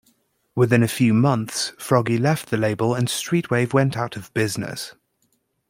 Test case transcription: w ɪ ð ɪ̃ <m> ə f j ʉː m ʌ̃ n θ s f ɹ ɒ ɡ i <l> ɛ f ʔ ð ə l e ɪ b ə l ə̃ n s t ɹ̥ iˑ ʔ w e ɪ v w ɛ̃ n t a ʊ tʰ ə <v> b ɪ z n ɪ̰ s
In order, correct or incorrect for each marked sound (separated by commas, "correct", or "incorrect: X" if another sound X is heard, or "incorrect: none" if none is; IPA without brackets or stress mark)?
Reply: incorrect: n, correct, correct